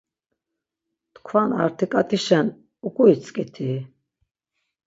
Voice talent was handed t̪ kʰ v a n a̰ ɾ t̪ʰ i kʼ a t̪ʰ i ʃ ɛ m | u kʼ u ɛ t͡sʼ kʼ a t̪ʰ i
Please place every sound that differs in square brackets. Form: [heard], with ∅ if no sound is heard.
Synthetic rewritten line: t̪ kʰ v a n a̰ ɾ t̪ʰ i kʼ a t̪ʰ i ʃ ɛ [n] | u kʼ u [i] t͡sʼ kʼ [i] t̪ʰ i